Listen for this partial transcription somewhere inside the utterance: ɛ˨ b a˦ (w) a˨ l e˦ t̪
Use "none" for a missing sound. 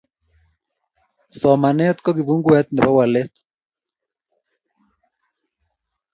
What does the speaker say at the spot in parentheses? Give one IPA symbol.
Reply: w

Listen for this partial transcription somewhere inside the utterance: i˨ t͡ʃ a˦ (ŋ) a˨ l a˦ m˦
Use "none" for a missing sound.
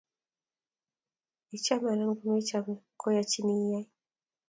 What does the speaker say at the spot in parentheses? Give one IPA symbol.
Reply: m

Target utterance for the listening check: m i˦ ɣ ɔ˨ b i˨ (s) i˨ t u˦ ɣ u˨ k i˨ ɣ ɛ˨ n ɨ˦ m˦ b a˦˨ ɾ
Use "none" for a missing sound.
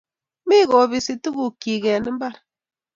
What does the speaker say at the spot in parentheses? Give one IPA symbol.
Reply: s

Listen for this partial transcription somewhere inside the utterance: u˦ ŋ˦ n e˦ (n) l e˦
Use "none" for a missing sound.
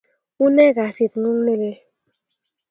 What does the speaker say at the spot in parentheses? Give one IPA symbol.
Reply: none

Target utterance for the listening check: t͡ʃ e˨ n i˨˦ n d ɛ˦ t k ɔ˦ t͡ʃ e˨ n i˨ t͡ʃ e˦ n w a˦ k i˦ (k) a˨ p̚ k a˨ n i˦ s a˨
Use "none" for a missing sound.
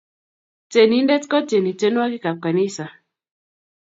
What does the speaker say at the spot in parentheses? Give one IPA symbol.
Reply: k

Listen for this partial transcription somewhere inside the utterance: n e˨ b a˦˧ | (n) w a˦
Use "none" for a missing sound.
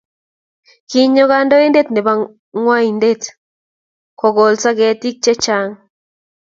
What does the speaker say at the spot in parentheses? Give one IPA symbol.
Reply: ŋ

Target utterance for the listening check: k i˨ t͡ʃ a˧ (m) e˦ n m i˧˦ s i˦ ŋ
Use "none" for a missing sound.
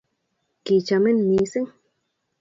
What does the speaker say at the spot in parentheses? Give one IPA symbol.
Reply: m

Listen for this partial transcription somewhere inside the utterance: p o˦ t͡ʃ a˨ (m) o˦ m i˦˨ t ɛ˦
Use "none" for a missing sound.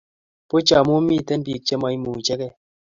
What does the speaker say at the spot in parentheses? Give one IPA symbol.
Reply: m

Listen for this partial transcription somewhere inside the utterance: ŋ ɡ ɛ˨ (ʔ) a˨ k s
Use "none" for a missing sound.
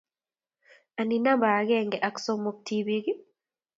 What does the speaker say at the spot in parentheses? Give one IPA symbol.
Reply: ʔ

